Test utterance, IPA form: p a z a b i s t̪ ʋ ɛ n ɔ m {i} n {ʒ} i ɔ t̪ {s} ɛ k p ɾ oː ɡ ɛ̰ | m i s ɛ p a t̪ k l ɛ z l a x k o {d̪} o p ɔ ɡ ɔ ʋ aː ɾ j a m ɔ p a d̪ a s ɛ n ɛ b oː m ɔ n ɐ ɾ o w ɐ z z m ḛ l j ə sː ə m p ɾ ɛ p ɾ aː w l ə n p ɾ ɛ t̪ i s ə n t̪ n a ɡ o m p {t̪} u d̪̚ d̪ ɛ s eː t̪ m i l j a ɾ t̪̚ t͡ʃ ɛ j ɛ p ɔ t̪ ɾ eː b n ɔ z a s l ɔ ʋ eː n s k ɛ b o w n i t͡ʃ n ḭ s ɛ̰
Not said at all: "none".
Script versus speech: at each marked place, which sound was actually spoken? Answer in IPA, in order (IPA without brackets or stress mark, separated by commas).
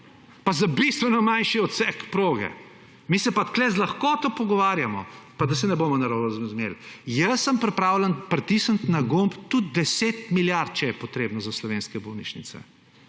a, ʃ, s, t̪, t̪